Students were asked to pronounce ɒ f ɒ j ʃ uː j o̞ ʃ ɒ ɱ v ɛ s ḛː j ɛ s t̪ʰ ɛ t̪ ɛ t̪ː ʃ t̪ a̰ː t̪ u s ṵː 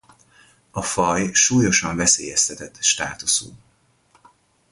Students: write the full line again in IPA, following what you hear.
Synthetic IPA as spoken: ɒ f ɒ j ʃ uː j o̞ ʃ ɒ ɱ v ɛ s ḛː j ɛ s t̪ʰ ɛ t̪ ɛ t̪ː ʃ t̪ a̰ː t̪ u s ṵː